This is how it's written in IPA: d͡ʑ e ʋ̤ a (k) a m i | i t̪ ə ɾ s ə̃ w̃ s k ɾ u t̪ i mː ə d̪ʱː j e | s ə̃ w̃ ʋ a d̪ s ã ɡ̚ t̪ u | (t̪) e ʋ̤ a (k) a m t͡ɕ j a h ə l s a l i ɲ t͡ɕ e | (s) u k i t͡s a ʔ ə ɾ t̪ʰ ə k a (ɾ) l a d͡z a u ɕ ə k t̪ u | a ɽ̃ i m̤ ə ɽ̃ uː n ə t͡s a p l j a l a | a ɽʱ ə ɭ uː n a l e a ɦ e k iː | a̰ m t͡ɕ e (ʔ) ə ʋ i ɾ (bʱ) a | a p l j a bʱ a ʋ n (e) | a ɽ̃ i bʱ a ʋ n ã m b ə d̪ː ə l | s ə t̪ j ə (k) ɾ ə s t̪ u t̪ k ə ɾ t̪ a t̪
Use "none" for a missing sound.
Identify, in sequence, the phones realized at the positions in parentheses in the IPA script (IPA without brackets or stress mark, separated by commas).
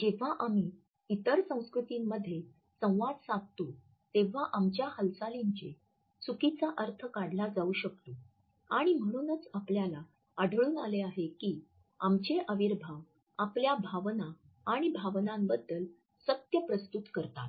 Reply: ʔ, t̪, ʔ, s, ɽ, ʔ, bʱ, a, p